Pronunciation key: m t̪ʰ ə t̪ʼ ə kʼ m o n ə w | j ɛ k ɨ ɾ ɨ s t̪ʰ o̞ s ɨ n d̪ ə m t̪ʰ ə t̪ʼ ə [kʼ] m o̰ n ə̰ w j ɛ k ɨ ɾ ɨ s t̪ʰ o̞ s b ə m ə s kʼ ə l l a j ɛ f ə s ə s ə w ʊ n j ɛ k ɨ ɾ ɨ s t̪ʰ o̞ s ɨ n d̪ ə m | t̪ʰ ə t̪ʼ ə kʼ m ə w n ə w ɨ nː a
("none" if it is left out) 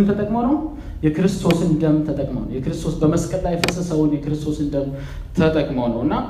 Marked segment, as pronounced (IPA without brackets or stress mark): kʼ